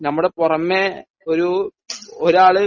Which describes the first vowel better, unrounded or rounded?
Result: unrounded